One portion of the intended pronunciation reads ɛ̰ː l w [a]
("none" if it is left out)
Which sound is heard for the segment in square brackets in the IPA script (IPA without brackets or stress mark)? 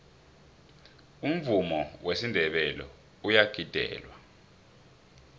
a